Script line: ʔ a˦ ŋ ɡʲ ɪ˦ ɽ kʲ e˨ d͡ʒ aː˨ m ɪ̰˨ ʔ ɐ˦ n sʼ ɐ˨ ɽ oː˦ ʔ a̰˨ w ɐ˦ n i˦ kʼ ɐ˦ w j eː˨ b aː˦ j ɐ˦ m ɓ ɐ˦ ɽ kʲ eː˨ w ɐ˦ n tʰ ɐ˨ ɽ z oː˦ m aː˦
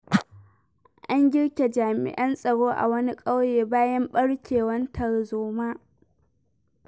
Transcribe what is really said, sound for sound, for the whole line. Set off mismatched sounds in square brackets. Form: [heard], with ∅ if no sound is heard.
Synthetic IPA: ʔ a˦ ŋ ɡʲ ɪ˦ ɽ kʲ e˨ d͡ʒ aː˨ m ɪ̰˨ ʔ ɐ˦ n sʼ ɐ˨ ɽ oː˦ ʔ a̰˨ w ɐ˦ n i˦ kʼ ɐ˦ w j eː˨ b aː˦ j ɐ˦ m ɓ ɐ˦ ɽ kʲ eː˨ w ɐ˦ n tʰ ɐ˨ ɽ z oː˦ m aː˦